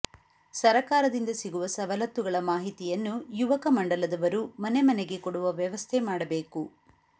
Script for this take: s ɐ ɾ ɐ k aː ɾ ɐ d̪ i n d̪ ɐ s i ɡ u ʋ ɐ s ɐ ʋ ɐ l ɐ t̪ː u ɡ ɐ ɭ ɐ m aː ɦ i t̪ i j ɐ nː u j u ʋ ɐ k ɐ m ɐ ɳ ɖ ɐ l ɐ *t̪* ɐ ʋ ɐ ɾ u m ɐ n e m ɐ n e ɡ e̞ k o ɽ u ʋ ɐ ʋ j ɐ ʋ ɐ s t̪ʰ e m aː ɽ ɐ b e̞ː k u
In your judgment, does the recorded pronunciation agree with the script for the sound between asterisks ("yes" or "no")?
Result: no